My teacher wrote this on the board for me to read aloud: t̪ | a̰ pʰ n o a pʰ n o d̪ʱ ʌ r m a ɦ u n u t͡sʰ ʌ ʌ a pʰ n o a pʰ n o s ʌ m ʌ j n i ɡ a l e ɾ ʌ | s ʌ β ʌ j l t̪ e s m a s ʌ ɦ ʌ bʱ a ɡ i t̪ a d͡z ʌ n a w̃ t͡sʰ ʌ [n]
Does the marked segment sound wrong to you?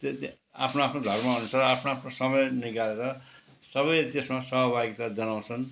no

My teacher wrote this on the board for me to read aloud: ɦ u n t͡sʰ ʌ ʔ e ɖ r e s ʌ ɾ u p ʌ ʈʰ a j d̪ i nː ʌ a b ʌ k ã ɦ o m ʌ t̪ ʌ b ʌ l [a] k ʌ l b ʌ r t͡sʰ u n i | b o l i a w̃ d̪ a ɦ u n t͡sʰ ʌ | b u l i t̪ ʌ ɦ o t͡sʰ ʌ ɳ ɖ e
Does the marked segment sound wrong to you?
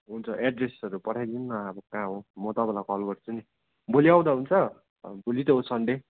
no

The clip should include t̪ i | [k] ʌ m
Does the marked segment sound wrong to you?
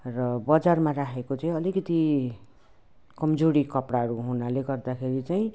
no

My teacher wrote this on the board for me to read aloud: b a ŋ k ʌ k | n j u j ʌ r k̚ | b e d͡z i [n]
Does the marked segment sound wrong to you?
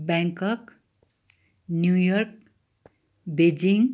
yes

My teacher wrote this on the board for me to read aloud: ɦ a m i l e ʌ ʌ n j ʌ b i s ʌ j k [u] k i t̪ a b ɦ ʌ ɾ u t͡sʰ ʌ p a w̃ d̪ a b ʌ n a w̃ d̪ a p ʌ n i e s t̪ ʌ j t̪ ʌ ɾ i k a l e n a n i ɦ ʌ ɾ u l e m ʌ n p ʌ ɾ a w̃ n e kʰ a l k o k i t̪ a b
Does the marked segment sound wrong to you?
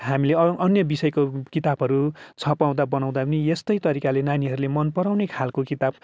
yes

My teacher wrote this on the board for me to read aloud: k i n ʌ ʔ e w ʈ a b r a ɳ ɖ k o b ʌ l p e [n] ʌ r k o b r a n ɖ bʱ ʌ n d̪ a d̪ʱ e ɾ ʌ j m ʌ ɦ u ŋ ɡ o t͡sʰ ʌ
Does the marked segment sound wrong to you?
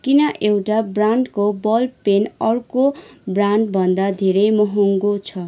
no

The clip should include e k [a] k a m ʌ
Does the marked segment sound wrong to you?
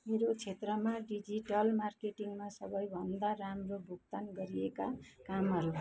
no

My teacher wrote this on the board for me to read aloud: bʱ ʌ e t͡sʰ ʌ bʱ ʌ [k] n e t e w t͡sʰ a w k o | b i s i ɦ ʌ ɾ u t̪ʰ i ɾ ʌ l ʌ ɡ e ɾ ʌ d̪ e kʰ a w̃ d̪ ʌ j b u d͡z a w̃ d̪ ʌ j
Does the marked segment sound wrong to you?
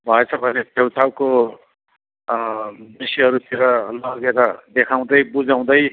yes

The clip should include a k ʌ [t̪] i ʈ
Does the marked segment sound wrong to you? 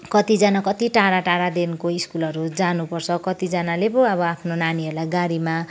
no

